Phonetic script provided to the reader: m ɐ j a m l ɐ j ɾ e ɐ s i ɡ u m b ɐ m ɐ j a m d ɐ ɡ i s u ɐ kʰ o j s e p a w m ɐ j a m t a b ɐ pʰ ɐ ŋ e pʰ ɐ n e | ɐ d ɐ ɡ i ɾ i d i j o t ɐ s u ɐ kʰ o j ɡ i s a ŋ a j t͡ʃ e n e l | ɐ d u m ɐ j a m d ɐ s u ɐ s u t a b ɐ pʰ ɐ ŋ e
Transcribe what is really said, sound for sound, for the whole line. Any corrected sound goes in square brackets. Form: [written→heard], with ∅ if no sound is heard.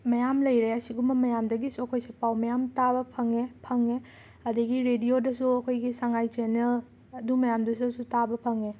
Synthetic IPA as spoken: m ɐ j a m l ɐ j ɾ e ɐ s i ɡ u m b ɐ m ɐ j a m d ɐ ɡ i s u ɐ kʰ o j s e p a w m ɐ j a m t a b ɐ pʰ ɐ ŋ e pʰ ɐ [n→ŋ] e | ɐ d ɐ ɡ i ɾ [i→e] d i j o [t→d] ɐ s u ɐ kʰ o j ɡ i s a ŋ a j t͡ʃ e n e l | ɐ d u m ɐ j a m d ɐ s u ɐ s u t a b ɐ pʰ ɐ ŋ e